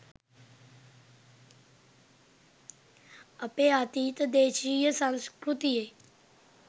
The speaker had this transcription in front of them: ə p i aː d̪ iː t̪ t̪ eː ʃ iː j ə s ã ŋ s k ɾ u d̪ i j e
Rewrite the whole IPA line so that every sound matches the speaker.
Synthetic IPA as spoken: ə p e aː t̪ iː t̪ d̪ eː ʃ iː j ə s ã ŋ s k ɾ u t̪ i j e